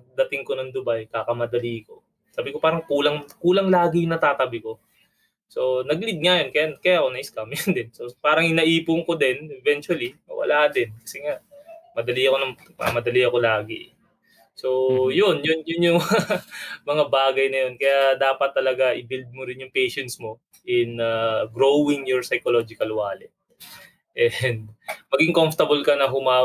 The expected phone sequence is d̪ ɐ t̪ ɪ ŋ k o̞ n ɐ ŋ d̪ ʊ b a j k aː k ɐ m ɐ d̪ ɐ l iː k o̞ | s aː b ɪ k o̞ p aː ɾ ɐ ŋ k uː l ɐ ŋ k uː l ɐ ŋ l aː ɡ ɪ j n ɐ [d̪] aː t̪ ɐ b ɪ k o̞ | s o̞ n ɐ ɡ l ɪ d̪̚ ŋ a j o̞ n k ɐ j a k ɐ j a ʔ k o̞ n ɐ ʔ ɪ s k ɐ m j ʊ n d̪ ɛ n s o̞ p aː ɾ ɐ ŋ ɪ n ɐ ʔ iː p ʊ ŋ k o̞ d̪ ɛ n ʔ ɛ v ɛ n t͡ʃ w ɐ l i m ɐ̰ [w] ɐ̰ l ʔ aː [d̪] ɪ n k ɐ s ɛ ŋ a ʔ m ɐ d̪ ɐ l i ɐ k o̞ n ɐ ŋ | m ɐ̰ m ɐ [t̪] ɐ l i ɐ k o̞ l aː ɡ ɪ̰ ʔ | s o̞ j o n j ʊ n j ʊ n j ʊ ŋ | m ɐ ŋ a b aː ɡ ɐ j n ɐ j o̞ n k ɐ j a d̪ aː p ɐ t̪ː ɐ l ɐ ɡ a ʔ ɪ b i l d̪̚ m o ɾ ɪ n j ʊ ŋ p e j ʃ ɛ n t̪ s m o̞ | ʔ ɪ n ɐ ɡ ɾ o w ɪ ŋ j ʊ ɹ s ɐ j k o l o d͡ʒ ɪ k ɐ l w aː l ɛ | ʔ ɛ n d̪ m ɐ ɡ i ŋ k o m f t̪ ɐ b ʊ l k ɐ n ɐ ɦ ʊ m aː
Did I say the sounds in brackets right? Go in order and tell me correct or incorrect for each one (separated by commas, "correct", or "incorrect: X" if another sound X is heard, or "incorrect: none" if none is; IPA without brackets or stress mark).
incorrect: t̪, correct, correct, incorrect: d̪